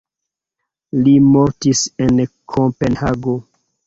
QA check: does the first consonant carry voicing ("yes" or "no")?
yes